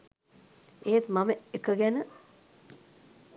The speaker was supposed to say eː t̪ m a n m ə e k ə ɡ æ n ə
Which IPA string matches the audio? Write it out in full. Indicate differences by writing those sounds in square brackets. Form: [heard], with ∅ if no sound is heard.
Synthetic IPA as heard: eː t̪ m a [∅] m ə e k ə ɡ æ n ə